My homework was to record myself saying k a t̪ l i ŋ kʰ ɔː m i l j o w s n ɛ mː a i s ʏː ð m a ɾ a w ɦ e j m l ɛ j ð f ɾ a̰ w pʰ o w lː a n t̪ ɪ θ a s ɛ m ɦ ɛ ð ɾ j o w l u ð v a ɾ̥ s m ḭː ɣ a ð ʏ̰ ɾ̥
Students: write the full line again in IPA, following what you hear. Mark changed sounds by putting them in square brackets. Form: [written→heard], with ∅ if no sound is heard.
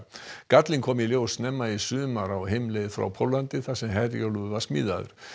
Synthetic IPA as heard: k a t̪ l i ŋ kʰ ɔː m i l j o w s n ɛ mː a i s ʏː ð m a ɾ a w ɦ e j m l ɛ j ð f ɾ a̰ w pʰ o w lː a n t̪ ɪ θ a s ɛ m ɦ ɛ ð ɾ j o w l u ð v a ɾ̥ s m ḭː [ɣ→ð] a ð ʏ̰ ɾ̥